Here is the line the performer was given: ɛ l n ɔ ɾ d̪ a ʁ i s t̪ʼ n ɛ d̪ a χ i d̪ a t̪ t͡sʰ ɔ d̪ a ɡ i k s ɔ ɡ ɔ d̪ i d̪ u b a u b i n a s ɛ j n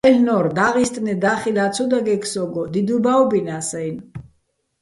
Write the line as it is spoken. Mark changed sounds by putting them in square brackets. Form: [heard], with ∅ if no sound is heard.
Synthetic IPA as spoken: ɛ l n ɔ ɾ d̪ a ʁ i s t̪ʼ n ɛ d̪ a χ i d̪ a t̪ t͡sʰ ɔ d̪ a ɡ [ɛ] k s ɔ ɡ ɔ d̪ i d̪ u b a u b i n a s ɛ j n